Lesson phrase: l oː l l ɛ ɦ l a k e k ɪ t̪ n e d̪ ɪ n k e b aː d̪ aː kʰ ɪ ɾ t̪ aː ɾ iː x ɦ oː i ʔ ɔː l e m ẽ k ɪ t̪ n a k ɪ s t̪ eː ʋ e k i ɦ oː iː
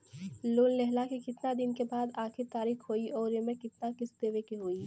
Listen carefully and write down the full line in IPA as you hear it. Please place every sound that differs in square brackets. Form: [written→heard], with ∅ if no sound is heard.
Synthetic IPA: l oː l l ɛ ɦ l a k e k ɪ t̪ n [e→a] d̪ ɪ n k e b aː d̪ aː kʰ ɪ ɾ t̪ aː ɾ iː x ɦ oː i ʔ ɔː [l→ɾ] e m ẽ k ɪ t̪ n a k ɪ s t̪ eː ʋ e k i ɦ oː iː